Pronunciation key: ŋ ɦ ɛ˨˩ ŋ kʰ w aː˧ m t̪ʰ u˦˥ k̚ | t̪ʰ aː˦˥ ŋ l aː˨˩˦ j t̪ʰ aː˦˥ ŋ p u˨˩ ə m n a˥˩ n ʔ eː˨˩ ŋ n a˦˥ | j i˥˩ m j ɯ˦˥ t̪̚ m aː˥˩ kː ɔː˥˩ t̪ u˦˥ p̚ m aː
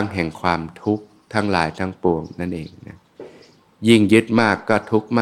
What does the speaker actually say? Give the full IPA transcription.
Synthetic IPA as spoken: ŋ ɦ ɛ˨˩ ŋ kʰ w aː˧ m t̪ʰ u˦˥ k̚ | t̪ʰ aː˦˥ ŋ l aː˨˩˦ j t̪ʰ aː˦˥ ŋ p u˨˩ ə ŋ n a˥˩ n ʔ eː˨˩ ŋ n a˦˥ | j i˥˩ ŋ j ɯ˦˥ t̪̚ m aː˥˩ kː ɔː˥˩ t̪ʰ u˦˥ k̚ m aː